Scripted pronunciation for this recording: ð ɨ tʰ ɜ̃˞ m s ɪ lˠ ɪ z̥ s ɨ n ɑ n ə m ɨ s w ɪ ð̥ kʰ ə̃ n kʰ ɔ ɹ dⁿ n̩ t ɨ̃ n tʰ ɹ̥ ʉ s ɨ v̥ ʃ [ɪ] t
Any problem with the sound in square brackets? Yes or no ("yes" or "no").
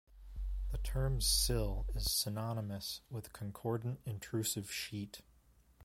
yes